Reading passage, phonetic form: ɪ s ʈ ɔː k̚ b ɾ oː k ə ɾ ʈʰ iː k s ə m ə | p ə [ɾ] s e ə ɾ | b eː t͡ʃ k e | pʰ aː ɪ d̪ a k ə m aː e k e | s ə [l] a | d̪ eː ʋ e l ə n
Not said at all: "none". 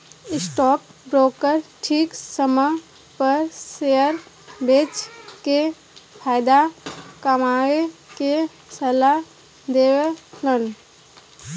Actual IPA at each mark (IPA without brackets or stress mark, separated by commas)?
ɾ, l